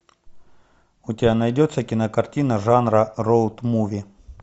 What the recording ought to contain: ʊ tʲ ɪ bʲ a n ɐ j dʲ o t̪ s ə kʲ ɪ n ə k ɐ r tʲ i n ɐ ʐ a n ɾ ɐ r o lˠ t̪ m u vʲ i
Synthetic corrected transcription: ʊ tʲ ɪ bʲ a n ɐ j dʲ o t̪ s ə kʲ ɪ n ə k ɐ r tʲ i n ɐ ʐ a n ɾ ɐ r o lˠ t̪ m u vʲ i